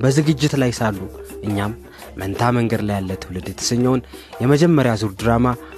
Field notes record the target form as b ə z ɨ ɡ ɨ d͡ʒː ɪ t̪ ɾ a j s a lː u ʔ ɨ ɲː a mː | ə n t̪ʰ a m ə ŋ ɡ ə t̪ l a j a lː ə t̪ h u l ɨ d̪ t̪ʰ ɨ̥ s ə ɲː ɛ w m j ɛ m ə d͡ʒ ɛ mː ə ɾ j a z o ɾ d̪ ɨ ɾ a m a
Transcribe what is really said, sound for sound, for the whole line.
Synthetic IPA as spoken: b ə z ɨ ɡ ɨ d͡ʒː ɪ t̪ l a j s a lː u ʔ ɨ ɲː a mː | ə n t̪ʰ a m ə ŋ ɡ ə d̪ l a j a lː ə t̪ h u l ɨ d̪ t̪ʰ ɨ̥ s ə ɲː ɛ w n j ɛ m ə d͡ʒ ɛ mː ə ɾ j a z u ɾ d̪ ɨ ɾ a m a